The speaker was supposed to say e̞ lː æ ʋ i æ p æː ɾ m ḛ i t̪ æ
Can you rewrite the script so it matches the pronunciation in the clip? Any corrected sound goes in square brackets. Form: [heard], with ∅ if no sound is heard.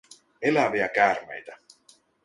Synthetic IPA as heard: e̞ [l] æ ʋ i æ [k] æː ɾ m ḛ [j] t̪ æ